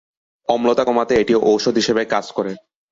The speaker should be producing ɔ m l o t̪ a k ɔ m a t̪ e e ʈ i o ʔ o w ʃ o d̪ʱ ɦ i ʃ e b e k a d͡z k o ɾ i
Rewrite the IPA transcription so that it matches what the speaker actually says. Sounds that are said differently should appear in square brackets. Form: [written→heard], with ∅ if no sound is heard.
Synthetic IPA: ɔ m l o t̪ a k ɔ m a t̪ e e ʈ i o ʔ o w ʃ o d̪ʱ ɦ i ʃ e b e k a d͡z k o ɾ [i→e]